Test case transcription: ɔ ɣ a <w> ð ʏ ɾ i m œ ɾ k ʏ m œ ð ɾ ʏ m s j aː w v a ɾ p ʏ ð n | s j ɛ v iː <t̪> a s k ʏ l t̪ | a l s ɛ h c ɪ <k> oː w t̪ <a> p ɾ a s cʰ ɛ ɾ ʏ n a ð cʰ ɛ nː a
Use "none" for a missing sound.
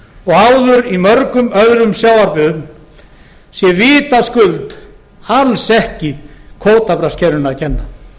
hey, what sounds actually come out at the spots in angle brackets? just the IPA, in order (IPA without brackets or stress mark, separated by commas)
w, t̪, kʰ, a